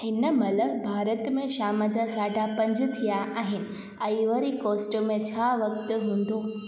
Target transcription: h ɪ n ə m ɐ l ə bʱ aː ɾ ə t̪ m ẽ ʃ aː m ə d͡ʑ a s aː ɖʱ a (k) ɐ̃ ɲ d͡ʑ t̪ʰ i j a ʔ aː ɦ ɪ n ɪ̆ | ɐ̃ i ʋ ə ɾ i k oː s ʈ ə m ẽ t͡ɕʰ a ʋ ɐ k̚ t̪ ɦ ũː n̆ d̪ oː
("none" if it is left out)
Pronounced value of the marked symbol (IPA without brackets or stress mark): p